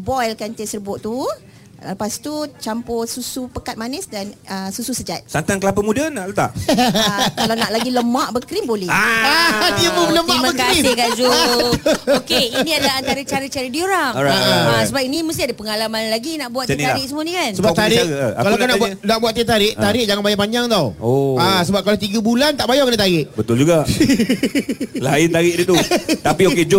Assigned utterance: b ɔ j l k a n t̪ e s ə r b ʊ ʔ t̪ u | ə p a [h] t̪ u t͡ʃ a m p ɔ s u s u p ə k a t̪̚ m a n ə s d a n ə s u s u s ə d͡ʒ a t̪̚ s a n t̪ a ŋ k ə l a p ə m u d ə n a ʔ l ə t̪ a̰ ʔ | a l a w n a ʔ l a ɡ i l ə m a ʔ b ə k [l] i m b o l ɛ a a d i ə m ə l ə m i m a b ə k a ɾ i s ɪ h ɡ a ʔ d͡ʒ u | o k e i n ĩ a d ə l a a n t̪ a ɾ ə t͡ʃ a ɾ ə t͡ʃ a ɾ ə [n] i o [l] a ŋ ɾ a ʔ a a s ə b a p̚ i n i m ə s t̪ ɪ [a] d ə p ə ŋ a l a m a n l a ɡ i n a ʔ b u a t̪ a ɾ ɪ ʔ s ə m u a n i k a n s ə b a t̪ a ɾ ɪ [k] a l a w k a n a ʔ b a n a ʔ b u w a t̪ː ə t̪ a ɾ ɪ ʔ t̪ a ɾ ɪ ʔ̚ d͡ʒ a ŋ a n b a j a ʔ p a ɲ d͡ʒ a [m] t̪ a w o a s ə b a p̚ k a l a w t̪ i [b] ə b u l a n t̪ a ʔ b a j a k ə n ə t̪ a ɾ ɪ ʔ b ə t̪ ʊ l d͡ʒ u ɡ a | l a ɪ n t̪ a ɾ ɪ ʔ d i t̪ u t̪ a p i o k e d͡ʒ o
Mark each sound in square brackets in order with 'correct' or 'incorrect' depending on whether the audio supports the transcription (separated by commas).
incorrect, incorrect, incorrect, incorrect, correct, correct, incorrect, incorrect